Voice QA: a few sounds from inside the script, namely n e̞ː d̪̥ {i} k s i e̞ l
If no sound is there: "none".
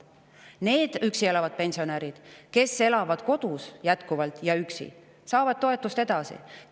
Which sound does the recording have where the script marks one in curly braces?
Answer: y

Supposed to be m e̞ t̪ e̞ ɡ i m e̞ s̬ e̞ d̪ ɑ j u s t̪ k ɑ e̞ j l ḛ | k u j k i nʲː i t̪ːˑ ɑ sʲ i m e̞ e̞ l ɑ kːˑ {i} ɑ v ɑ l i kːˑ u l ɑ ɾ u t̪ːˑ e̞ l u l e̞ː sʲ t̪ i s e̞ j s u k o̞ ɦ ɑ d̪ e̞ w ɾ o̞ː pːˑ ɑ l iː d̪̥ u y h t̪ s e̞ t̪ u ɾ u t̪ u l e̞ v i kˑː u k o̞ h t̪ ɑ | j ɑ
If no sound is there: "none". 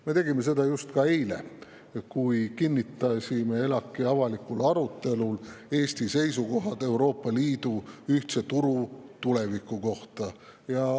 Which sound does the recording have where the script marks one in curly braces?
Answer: i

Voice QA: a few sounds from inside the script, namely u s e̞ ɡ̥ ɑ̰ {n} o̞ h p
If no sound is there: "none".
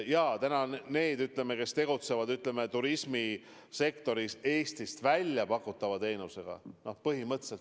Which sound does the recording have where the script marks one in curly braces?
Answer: n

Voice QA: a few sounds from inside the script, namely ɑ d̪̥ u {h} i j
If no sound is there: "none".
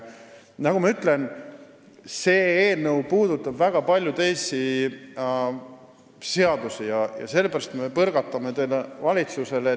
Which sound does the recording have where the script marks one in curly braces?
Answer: s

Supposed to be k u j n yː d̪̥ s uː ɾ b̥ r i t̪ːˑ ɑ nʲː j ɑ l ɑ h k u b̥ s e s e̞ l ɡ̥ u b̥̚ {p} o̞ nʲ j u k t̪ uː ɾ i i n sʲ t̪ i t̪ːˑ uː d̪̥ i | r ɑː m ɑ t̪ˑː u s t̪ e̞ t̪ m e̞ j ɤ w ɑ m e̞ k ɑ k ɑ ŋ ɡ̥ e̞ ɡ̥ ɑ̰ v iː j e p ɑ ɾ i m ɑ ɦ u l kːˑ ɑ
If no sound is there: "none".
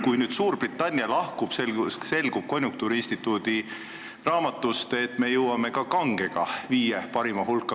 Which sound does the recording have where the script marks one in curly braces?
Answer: k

